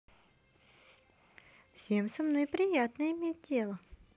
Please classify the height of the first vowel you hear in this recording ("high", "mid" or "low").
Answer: mid